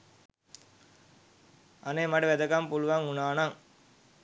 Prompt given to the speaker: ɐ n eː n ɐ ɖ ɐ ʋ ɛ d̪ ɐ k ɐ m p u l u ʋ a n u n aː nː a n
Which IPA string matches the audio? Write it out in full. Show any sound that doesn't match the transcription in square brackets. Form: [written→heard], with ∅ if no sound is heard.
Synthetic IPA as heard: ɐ n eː [n→m] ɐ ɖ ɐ ʋ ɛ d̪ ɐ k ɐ m p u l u ʋ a [n→ŋ] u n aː [nː→n] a [n→ŋ]